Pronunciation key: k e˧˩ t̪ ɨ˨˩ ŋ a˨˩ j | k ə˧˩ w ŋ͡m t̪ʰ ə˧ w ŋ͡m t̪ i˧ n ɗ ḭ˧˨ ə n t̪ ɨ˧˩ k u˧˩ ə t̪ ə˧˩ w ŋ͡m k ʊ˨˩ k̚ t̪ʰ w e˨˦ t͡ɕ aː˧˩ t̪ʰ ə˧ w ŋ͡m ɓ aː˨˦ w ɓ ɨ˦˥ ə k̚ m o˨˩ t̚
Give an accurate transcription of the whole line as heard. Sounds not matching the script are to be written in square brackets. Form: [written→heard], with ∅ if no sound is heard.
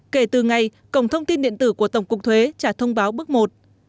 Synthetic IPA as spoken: k e˧˩ t̪ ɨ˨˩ ŋ a˨˩ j | k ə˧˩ w ŋ͡m t̪ʰ ə˧ w ŋ͡m t̪ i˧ n ɗ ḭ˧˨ ə n t̪ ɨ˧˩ k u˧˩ ə t̪ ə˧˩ w ŋ͡m k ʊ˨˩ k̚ t̪ʰ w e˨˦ t͡ɕ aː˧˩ t̪ʰ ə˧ w ŋ͡m ɓ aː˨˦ w ɓ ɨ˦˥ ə k̚ m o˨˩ t̚